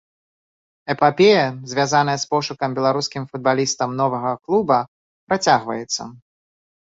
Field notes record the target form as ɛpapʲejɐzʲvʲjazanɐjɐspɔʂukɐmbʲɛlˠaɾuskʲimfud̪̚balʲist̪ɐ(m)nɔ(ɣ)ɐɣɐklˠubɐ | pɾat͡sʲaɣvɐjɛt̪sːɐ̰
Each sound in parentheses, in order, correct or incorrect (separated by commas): correct, incorrect